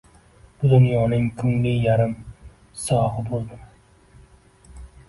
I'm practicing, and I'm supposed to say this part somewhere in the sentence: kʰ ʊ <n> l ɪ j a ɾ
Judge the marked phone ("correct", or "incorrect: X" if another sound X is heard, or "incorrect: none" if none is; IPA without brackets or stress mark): incorrect: ŋ